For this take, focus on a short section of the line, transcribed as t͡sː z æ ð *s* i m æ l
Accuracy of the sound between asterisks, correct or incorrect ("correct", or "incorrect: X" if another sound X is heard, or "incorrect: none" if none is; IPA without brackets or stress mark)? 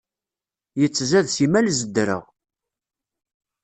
correct